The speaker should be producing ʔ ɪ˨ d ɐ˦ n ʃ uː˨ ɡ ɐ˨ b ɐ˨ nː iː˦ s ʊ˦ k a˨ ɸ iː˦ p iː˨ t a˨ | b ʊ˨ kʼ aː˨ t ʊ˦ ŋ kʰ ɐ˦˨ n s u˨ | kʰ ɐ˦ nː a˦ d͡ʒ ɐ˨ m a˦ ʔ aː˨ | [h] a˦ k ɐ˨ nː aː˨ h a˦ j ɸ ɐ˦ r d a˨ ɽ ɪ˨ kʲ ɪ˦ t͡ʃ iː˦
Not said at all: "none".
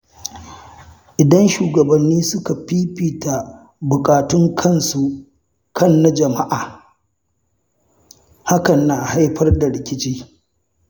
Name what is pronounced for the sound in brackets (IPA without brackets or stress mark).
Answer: h